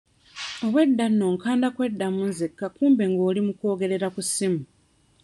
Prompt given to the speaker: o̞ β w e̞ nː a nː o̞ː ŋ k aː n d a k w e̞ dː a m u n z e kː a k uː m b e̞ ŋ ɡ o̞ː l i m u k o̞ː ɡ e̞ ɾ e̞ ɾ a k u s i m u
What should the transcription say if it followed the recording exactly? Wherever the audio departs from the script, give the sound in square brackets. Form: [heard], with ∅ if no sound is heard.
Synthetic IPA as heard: o̞ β w e̞ [dː] a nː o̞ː ŋ k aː n d a k w e̞ dː a m u n z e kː a k uː m b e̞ ŋ ɡ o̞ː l i m u k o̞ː ɡ e̞ ɾ e̞ ɾ a k u s i m u